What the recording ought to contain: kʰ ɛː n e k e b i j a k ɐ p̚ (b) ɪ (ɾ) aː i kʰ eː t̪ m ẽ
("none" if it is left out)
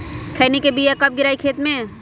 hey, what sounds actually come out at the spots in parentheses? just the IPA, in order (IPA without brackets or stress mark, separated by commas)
ɡ, ɾ